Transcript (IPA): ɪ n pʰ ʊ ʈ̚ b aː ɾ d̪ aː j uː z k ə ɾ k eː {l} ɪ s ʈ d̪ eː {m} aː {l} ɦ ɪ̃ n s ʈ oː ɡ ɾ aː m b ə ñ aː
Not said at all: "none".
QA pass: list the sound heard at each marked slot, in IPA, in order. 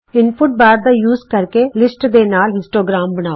l, n, l

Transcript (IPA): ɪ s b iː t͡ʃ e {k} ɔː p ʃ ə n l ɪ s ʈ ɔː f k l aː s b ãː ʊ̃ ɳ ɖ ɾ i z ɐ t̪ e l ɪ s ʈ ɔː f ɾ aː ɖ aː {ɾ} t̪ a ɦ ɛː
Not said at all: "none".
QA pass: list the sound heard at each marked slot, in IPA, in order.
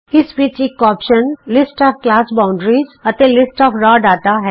k, none

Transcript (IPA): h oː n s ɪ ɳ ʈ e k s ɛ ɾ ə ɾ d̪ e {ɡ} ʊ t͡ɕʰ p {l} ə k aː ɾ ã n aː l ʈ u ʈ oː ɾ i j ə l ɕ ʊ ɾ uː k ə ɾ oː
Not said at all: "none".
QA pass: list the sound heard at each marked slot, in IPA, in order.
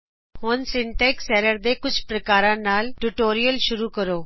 k, ɾ

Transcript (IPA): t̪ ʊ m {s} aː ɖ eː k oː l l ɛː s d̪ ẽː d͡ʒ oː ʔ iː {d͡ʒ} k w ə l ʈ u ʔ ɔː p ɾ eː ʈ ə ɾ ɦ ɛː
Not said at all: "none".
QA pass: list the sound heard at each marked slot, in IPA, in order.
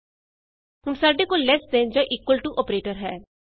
s, none

